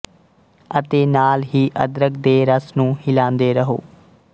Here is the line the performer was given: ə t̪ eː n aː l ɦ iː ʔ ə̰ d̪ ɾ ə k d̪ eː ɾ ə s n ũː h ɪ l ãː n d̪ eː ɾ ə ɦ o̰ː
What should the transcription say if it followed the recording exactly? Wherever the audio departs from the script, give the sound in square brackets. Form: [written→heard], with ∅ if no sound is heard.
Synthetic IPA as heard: ə t̪ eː n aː l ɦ iː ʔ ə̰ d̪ ɾ ə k d̪ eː ɾ ə s n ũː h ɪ l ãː n d̪ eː ɾ ə ɦ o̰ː

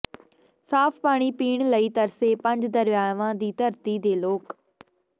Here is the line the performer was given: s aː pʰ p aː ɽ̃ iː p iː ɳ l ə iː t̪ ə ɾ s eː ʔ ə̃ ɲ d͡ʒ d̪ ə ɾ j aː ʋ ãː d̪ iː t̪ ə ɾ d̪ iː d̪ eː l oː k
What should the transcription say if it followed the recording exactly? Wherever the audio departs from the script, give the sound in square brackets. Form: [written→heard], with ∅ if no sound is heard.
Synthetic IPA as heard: s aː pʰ p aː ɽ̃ iː p iː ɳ l ə iː t̪ ə ɾ s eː [ʔ→p] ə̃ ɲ d͡ʒ d̪ ə ɾ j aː ʋ ãː d̪ iː t̪ ə ɾ [d̪→t̪] iː d̪ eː l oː k

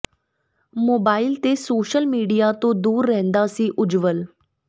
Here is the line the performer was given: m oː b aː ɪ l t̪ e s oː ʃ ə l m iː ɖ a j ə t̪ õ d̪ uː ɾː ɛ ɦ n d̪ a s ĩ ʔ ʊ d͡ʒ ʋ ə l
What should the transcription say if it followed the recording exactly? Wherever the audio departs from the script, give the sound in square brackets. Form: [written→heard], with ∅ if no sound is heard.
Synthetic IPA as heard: m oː b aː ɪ l t̪ e s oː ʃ ə l m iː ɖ [a→i] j [ə→a] t̪ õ d̪ uː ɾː ɛ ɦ n d̪ a s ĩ ʔ ʊ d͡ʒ ʋ ə l

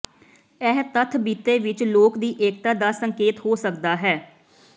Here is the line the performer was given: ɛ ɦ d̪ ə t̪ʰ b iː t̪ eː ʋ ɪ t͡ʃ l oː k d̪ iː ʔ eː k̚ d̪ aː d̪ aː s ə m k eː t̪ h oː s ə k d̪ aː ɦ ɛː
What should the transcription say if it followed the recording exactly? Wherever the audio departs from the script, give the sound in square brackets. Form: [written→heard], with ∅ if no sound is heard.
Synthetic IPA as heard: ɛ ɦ [d̪→t̪] ə t̪ʰ b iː t̪ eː ʋ ɪ t͡ʃ l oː k d̪ iː ʔ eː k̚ [d̪→t̪] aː d̪ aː s ə [m→ŋ] k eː t̪ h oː s ə k d̪ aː ɦ ɛː

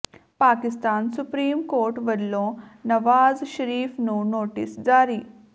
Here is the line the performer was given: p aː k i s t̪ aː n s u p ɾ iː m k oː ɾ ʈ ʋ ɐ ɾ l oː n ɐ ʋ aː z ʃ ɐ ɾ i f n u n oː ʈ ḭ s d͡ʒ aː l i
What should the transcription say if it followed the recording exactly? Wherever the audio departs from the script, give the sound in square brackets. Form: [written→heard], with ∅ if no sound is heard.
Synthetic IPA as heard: p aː k i s t̪ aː n s u p ɾ iː m k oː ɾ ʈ ʋ ɐ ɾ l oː n ɐ ʋ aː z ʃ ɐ ɾ [i→iː] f n u n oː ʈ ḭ s d͡ʒ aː [l→ɾ] i

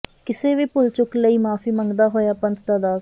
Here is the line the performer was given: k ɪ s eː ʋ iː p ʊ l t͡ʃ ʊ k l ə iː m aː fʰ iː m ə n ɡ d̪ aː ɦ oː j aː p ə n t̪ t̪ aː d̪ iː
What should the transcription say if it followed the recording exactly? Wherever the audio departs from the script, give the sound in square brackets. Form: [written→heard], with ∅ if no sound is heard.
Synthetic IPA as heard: k ɪ s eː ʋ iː p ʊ l t͡ʃ ʊ k l ə iː m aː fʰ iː m ə [n→ŋ] ɡ d̪ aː ɦ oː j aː p ə n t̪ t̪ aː d̪ [iː→aː]

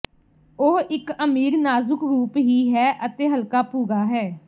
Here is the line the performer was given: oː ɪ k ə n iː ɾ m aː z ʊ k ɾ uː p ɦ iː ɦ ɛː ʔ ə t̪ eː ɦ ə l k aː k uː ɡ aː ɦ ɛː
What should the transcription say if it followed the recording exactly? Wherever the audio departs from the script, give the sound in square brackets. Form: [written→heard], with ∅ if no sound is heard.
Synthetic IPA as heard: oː ɪ k ə [n→m] iː ɾ [m→n] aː z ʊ k ɾ uː p ɦ iː ɦ ɛː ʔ ə t̪ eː ɦ ə l k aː [k→p] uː ɡ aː ɦ ɛː

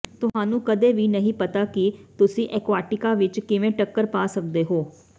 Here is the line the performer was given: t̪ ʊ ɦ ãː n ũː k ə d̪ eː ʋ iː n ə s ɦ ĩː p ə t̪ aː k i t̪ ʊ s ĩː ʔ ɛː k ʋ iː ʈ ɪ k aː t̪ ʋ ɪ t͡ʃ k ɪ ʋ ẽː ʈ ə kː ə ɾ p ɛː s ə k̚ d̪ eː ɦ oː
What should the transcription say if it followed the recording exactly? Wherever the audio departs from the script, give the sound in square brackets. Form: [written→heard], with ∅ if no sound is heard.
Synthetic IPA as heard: t̪ ʊ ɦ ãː n ũː k ə d̪ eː ʋ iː n ə [s→∅] ɦ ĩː p ə t̪ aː k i t̪ ʊ s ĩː ʔ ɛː k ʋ [iː→aː] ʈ ɪ k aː [t̪→∅] ʋ ɪ t͡ʃ k ɪ ʋ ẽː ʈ ə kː ə ɾ p [ɛː→aː] s ə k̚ d̪ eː ɦ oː

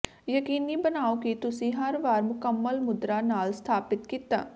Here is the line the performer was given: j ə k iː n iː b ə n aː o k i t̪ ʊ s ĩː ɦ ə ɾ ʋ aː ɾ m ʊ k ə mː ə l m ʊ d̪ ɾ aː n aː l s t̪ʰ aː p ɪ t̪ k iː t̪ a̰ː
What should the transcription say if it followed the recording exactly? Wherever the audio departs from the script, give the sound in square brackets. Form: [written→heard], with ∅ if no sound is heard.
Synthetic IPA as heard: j ə k iː n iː b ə n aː o k i t̪ ʊ s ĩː ɦ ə ɾ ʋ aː ɾ m ʊ k ə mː ə l m ʊ d̪ ɾ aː n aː l s t̪ʰ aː p ɪ t̪ k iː t̪ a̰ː

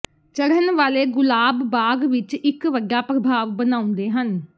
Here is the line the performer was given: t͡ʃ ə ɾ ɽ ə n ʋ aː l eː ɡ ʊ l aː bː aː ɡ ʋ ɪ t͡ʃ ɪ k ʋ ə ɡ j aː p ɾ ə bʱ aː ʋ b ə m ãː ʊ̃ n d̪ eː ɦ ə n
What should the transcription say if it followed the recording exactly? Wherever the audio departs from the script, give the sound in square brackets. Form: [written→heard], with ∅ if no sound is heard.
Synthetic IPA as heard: t͡ʃ ə [ɾ→∅] ɽ ə n ʋ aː l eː ɡ ʊ l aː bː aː ɡ ʋ ɪ t͡ʃ ɪ k ʋ ə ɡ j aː p ɾ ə bʱ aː ʋ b ə [m→n] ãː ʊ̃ n d̪ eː ɦ ə n

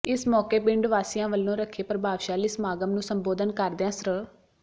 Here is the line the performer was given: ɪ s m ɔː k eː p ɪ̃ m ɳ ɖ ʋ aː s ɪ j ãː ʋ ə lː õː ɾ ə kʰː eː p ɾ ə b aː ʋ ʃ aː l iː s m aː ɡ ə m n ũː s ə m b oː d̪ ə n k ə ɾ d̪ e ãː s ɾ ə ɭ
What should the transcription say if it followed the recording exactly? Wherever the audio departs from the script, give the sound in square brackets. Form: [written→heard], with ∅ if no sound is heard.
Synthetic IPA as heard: ɪ s m ɔː k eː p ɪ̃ [m→∅] ɳ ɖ ʋ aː s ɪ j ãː ʋ ə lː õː ɾ ə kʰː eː p ɾ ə b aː ʋ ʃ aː l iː s m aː ɡ ə m n ũː s ə m b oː d̪ ə n k ə ɾ d̪ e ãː s ɾ ə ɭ

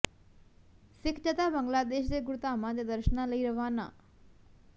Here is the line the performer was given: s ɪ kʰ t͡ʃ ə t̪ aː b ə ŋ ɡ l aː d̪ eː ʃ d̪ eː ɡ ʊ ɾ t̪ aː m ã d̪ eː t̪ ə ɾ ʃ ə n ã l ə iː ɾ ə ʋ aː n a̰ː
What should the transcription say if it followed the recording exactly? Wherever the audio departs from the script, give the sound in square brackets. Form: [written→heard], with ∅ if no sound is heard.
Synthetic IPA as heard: s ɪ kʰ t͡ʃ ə t̪ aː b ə ŋ ɡ l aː d̪ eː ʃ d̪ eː ɡ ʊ ɾ t̪ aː m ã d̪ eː [t̪→d̪] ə ɾ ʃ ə n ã l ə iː ɾ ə ʋ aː n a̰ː

